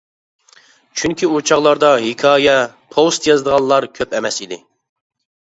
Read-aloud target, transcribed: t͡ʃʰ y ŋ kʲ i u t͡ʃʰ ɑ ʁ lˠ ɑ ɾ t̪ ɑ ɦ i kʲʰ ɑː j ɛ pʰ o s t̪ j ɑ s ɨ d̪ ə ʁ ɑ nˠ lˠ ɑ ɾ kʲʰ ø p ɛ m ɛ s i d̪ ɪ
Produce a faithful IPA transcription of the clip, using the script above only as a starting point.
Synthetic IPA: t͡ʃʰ y ŋ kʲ i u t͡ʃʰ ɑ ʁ lˠ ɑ ɾ d̪ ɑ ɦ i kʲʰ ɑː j ɛ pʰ o s t̪ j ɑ z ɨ d̪ ə ʁ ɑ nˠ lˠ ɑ ɾ kʲʰ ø p ɛ m ɛ s i d̪ ɪ